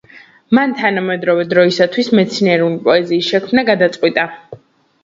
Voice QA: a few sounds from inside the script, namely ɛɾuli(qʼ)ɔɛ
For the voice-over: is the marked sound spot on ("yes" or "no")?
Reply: no